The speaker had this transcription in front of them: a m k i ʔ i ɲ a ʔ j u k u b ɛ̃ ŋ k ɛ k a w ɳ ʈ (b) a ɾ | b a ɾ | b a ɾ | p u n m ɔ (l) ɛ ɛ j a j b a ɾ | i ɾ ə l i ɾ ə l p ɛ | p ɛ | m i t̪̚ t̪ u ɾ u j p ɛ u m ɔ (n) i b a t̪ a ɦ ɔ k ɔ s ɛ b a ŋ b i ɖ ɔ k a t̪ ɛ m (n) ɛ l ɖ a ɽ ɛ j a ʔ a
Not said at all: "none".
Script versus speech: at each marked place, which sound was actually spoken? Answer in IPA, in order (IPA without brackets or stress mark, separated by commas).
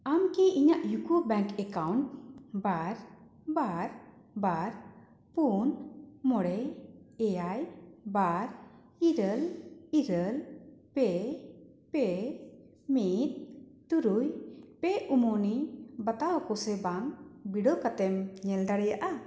b, ɽ, n, ɲ